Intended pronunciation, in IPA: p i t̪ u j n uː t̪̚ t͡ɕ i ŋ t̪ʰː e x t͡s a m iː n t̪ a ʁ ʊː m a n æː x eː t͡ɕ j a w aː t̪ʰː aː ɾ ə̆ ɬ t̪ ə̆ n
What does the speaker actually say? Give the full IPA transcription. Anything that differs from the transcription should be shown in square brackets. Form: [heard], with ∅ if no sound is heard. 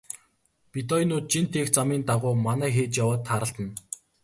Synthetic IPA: p i t̪ [ɔ] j n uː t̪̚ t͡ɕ i [n] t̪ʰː e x t͡s a m iː n t̪ a ʁ ʊː m a n æː x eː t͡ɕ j a w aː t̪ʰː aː ɾ ə̆ ɬ t̪ ə̆ n